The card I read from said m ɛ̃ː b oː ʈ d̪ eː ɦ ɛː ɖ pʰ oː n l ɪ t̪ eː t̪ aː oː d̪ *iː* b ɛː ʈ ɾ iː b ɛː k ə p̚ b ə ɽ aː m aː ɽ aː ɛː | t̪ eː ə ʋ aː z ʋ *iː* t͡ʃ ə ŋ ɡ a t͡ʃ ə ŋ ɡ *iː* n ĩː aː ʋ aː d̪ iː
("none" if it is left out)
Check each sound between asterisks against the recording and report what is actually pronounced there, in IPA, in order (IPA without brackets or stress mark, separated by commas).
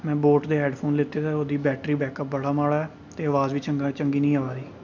iː, iː, iː